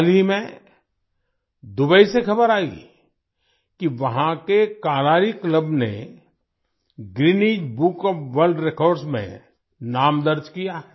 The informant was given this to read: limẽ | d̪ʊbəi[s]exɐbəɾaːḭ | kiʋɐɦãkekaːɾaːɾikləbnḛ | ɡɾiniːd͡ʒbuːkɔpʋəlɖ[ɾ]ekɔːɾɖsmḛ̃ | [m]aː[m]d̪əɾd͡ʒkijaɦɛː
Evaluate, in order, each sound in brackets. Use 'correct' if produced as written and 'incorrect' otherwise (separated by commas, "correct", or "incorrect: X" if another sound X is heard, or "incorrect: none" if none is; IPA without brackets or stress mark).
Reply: correct, correct, incorrect: n, correct